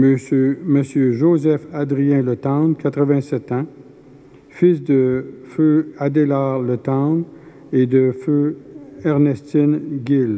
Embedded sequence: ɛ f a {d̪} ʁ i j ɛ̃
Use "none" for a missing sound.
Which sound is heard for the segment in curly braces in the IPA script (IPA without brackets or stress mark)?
d̪